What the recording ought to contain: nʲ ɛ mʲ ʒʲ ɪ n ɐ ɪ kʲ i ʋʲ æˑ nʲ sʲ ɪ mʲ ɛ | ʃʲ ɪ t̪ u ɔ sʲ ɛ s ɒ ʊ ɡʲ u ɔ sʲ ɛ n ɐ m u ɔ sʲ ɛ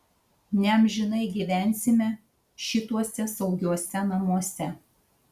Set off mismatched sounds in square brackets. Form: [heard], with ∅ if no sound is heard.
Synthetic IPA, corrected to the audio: nʲ ɛ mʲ ʒʲ ɪ n ɐ ɪ [ɡʲ] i ʋʲ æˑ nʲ sʲ ɪ mʲ ɛ | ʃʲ ɪ t̪ u ɔ sʲ ɛ s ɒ ʊ ɡʲ u ɔ sʲ ɛ n ɐ m u ɔ sʲ ɛ